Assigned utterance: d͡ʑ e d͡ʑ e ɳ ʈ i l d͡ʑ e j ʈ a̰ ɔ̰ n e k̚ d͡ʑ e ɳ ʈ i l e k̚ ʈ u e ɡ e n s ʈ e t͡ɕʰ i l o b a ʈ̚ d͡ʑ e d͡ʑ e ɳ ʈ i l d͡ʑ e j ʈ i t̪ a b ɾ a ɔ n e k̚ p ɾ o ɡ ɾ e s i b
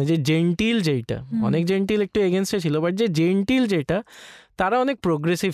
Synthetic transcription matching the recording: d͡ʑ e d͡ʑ e ɳ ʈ i l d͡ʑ e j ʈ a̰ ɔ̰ n e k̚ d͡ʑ e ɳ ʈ i l e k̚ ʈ u e ɡ e n s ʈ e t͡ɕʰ i l o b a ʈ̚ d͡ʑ e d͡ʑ e ɳ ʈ i l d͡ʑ e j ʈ a t̪ a ɾ a ɔ n e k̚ p ɾ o ɡ ɾ e s i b